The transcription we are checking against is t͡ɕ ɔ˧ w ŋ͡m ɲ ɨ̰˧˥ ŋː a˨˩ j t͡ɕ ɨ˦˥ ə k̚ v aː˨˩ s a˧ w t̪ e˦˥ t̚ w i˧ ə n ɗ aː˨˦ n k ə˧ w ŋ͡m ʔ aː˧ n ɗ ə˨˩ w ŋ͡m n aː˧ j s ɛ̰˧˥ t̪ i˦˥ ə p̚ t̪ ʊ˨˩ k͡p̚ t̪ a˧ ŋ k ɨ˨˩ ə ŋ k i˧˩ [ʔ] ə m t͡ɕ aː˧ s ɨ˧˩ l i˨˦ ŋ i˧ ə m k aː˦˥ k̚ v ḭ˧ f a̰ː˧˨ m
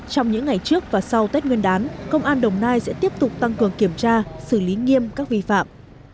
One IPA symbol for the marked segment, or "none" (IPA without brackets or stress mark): none